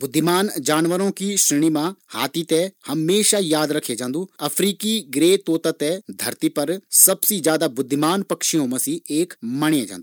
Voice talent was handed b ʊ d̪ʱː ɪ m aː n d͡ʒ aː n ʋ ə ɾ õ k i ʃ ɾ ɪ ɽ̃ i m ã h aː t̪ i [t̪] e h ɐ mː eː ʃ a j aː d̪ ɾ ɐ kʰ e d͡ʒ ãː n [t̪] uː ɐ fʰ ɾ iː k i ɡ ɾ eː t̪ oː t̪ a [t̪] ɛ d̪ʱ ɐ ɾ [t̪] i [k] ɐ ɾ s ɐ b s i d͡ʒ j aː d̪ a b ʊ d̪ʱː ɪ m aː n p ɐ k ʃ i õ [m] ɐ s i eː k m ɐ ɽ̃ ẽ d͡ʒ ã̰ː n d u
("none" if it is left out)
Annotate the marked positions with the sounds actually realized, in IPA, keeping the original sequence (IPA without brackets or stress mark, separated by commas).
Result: t̪, d̪, t̪, t̪, p, m